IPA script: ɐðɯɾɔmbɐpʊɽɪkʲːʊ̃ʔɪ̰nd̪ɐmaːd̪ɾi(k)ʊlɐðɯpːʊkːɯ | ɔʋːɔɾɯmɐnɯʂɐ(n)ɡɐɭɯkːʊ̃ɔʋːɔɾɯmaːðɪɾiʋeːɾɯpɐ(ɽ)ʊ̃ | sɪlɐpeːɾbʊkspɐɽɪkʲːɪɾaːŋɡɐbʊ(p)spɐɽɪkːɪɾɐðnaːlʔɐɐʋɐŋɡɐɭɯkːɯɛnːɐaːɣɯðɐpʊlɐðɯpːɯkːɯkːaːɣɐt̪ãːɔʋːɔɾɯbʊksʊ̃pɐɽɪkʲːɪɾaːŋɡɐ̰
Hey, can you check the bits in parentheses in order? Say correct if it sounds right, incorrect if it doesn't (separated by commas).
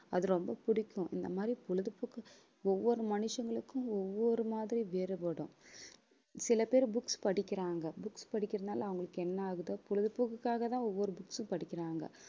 incorrect, incorrect, correct, incorrect